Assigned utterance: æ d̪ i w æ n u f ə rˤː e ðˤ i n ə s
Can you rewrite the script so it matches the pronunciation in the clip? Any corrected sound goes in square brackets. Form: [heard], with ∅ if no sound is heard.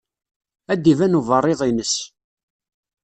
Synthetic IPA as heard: æ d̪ i [v] æ n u [v] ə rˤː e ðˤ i n ə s